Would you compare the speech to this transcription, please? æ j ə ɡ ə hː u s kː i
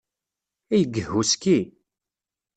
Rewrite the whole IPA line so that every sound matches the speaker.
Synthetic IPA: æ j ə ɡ ə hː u s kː i

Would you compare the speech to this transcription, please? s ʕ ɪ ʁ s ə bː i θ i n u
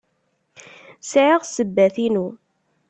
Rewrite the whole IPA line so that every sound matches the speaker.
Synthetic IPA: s ʕ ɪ ʁ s ə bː æ θ i n u

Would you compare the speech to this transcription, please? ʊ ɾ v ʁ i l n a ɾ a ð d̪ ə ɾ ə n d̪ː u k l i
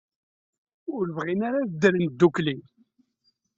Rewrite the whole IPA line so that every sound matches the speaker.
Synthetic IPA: ʊ ɾ v ʁ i n a ɾ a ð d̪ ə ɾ ə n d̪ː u k l i

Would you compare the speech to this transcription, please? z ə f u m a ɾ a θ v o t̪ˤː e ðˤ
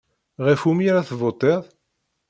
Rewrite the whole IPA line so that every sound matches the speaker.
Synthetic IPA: ʁ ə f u m i ɾ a θ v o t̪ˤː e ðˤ

